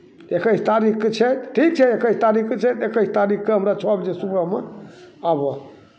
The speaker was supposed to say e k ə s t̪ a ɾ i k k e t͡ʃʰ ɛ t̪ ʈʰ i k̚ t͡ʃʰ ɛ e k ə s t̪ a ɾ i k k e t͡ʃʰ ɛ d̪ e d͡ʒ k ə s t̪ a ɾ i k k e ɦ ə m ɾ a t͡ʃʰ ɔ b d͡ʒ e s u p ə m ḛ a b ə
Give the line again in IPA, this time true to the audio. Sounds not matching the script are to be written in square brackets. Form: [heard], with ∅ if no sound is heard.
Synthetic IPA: e k ə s t̪ a ɾ i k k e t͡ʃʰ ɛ t̪ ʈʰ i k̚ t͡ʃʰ ɛ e k ə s t̪ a ɾ i k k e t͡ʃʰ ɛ [t̪] e [∅] k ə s t̪ a ɾ i k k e ɦ ə m ɾ a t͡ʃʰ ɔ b d͡ʒ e s u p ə m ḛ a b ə